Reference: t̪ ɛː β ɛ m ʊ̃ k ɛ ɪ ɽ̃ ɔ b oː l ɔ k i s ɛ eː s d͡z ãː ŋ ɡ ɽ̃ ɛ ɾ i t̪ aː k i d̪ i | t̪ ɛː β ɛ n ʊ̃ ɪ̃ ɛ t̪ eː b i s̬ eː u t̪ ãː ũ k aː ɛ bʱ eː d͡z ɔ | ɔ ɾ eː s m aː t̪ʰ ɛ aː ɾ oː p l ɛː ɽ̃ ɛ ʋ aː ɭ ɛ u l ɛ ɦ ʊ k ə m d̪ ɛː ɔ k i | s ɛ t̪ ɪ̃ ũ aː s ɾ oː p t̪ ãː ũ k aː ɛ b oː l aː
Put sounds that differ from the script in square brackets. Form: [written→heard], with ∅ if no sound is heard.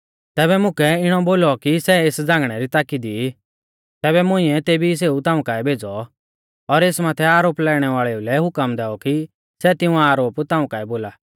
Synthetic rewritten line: t̪ ɛː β ɛ m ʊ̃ k ɛ ɪ ɽ̃ ɔ b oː l ɔ k i s ɛ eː s d͡z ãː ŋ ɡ ɽ̃ ɛ ɾ i t̪ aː k i d̪ i | t̪ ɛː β ɛ [n→m] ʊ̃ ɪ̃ ɛ t̪ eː b i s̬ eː u t̪ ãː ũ k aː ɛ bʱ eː d͡z ɔ | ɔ ɾ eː s m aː t̪ʰ ɛ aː ɾ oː p l ɛː ɽ̃ ɛ ʋ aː ɭ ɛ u l ɛ ɦ ʊ k ə m d̪ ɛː ɔ k i | s ɛ t̪ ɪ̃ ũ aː [s→∅] ɾ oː p t̪ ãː ũ k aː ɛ b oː l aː